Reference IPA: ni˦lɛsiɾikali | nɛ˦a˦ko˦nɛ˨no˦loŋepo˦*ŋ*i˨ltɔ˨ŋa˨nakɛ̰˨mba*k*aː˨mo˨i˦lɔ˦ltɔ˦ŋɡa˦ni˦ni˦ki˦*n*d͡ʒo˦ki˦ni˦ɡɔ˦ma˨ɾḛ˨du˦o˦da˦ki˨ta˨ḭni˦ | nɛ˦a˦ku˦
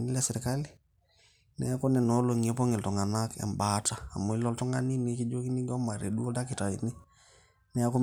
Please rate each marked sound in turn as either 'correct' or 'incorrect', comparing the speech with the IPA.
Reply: correct, incorrect, incorrect

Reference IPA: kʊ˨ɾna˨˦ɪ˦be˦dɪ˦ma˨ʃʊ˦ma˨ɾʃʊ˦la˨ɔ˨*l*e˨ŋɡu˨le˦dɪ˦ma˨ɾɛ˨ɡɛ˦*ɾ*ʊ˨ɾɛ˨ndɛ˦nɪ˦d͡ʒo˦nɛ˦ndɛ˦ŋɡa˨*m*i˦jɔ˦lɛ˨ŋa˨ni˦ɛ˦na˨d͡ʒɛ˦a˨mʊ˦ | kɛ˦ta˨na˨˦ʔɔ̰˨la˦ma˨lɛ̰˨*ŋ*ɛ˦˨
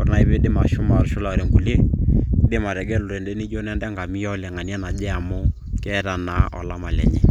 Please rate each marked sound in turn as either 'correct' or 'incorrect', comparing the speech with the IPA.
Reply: incorrect, incorrect, correct, incorrect

